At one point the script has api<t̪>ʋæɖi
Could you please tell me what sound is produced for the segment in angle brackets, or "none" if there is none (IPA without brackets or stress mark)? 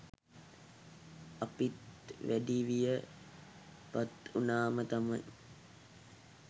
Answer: t̪